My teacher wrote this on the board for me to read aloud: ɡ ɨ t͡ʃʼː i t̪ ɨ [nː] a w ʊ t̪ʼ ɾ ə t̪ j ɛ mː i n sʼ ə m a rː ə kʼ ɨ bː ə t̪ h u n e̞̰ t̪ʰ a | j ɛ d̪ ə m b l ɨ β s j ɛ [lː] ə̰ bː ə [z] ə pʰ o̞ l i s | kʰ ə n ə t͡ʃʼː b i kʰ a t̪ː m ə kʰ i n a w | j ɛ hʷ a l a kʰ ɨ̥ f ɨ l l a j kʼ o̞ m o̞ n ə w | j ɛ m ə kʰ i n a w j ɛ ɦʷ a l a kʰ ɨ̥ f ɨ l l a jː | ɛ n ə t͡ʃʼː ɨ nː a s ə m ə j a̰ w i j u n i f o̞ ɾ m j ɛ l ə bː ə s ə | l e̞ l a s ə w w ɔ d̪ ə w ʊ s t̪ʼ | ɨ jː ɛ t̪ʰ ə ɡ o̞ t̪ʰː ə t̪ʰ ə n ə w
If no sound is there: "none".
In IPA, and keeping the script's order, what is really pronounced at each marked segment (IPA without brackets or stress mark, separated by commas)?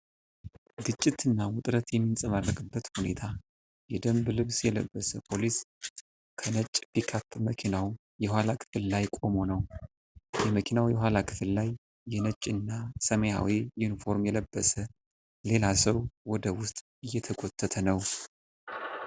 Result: nː, l, s